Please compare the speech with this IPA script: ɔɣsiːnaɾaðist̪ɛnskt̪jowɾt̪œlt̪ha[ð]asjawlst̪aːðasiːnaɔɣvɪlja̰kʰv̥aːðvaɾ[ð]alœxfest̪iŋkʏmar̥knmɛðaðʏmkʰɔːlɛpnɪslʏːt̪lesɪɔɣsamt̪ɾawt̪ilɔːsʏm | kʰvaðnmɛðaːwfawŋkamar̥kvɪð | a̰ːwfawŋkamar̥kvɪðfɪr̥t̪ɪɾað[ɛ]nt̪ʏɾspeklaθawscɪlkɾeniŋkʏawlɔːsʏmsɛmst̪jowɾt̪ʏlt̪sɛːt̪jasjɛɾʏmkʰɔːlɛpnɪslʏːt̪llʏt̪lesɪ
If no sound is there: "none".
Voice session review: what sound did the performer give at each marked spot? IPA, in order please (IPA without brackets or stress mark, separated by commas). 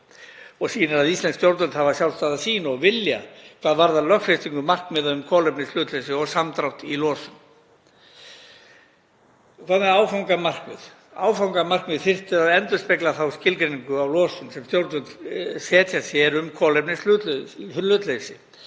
v, ð, ɛ